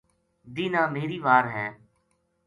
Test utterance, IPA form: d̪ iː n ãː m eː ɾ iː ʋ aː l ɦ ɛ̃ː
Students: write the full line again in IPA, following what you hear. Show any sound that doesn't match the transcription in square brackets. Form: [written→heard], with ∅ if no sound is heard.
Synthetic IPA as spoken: d̪ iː n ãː m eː ɾ iː ʋ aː [l→ɾ] ɦ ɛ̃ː